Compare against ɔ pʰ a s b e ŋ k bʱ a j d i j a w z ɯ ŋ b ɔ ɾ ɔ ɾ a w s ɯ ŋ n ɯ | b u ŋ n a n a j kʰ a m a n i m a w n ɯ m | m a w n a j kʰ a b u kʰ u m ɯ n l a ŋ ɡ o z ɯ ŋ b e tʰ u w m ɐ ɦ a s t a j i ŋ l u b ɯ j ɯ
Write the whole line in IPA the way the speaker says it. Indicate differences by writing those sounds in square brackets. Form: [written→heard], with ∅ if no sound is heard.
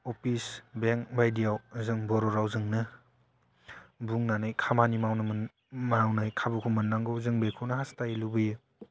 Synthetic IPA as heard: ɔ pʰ [a→i] s b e ŋ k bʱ a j d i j a w z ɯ ŋ b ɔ ɾ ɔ ɾ a w [s→z] ɯ ŋ n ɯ | b u ŋ n a n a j kʰ a m a n i m a w n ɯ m | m a w n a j kʰ a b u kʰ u m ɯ n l a ŋ ɡ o z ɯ ŋ b e [tʰ→kʰ] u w [m→n] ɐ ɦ a s t a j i [ŋ→∅] l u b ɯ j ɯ